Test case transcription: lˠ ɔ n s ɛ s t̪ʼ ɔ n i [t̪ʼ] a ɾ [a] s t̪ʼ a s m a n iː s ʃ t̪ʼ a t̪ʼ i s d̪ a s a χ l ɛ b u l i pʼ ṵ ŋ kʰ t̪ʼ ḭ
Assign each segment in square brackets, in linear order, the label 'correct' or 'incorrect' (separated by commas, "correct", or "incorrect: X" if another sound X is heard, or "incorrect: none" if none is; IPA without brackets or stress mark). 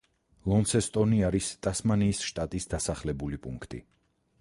incorrect: none, incorrect: i